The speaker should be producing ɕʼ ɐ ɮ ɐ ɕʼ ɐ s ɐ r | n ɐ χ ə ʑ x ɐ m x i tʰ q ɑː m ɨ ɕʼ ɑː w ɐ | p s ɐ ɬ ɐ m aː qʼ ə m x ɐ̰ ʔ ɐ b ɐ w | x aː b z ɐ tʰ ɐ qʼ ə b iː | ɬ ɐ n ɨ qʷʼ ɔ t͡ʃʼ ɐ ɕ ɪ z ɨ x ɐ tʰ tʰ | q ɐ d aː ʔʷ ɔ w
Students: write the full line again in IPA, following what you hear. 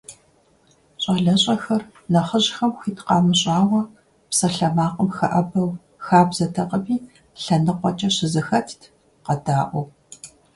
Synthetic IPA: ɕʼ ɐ ɮ ɐ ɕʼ ɐ x ɐ r | n ɐ χ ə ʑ x ɐ m x i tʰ q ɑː m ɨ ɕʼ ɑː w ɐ | p s ɐ ɬ ɐ m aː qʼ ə m x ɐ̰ ʔ ɐ b ɐ w | x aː b z ɐ tʰ ɐ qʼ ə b iː | ɬ ɐ n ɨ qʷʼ ɔ t͡ʃʼ ɐ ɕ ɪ z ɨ x ɐ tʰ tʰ | q ɐ d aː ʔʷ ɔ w

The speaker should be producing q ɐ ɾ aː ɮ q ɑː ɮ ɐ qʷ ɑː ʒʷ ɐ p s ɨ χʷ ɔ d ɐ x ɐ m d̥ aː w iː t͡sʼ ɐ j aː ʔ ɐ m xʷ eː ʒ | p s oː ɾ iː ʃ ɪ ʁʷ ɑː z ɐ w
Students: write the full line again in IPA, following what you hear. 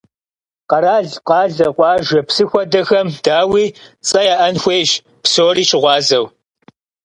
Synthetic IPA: q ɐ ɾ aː ɮ q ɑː ɮ ɐ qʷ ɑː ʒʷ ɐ p s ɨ xʷ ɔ d ɐ x ɐ m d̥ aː w iː t͡sʼ ɐ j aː ʔ ɐ n xʷ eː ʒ | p s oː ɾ iː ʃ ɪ ʁʷ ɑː z ɐ w

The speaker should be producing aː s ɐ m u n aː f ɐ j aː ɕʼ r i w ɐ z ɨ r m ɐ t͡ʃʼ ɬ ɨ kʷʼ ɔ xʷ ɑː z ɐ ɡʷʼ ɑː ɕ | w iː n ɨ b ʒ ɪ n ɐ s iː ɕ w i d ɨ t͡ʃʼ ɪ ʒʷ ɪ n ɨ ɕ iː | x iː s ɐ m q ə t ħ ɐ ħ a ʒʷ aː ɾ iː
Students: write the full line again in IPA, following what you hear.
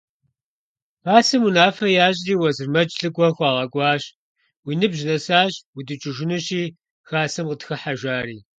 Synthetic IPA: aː s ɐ m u n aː f ɐ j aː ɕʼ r iː w ɐ z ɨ r m ɐ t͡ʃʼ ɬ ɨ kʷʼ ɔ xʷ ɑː ʁ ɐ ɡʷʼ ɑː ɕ | w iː n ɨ b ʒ ɪ n ɐ s aː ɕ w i d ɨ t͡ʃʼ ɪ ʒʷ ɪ n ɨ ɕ iː | x aː s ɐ m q ə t x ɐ ħ a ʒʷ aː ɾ iː

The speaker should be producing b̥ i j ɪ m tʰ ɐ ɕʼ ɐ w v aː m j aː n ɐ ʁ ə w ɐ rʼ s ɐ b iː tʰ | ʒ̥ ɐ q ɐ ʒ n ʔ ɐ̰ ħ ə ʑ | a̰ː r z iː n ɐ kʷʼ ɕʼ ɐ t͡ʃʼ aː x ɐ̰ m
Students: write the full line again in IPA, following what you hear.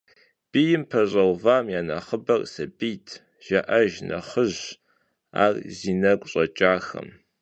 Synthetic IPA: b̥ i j ɪ m pʰ ɐ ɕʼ ɐ w v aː m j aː n ɐ χ ə b ɐ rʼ s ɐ b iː tʰ | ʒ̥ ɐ ʔ ɐ ʒ n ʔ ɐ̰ χ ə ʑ | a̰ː r z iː n ɐ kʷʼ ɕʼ ɐ t͡ʃʼ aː x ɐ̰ m

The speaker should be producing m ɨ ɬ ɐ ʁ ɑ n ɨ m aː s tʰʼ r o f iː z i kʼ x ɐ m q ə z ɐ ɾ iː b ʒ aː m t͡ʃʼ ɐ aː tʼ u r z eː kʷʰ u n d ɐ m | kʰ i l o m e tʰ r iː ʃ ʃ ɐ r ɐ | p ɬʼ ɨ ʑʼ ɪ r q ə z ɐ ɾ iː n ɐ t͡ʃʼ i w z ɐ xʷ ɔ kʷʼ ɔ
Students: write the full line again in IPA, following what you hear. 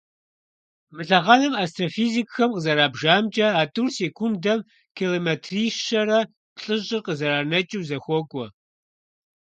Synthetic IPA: m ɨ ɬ ɐ ʁ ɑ n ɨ m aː s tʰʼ r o f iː z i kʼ x ɐ m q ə z ɐ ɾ aː b ʒ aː m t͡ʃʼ ɐ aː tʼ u r s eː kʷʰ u n d ɐ m | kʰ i l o m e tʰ r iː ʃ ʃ ɐ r ɐ | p ɬʼ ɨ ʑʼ ɪ r q ə z ɐ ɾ aː n ɐ t͡ʃʼ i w z ɐ xʷ ɔ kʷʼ ɔ

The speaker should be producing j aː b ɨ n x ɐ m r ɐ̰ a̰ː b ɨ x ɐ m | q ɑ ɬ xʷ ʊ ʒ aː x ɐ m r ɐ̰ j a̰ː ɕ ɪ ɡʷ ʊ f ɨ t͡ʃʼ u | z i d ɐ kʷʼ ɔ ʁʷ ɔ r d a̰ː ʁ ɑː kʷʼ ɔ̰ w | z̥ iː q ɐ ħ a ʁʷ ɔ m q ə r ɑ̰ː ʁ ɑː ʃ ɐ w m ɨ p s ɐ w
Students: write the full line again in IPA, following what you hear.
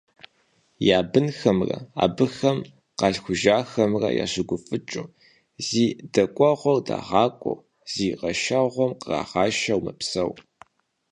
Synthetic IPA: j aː b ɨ n x ɐ m r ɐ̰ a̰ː b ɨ x ɐ m | q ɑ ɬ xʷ ʊ ʒ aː x ɐ m r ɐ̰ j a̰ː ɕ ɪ ɡʷ ʊ f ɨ t͡ʃʼ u | z iː d ɐ kʷʼ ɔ ʁʷ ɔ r d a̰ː ʁ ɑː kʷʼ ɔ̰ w | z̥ iː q ɐ ʃ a ʁʷ ɔ m q ə r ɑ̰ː ʁ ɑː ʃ ɐ w m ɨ p s ɐ w

